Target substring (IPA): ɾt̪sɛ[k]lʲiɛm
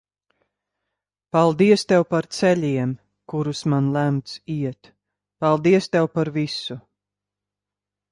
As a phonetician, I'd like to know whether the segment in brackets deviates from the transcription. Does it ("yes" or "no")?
yes